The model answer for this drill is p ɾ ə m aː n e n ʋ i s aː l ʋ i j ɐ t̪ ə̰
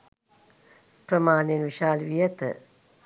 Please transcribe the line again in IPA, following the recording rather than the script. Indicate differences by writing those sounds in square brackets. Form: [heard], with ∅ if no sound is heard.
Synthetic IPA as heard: p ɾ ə m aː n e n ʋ i [ʃ] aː l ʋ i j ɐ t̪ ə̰